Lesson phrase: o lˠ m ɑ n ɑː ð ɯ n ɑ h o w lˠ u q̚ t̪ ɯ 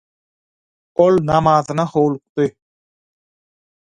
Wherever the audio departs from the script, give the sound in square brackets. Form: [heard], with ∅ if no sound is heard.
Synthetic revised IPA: o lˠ [n] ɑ [m] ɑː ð ɯ n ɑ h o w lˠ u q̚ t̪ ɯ